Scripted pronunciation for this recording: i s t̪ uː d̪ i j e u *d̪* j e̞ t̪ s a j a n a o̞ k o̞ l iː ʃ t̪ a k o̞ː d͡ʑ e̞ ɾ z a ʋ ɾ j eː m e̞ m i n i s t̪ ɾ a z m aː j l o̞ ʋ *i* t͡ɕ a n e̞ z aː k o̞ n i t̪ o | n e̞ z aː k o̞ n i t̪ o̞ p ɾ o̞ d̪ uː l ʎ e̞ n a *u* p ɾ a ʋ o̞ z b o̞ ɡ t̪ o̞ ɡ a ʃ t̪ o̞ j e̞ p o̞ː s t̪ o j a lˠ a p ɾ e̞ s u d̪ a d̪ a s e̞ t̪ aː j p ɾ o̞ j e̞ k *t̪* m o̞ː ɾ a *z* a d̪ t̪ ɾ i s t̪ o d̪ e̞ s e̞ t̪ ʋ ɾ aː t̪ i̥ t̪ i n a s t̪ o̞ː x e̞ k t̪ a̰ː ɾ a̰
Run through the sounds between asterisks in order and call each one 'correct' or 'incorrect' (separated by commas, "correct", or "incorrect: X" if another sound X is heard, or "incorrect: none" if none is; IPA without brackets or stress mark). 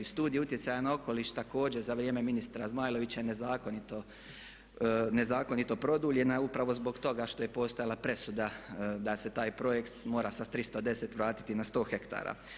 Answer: incorrect: t̪, correct, correct, correct, incorrect: s